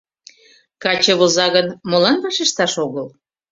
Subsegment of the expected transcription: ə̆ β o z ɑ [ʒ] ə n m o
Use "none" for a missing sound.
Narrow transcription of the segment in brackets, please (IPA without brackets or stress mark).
ɣ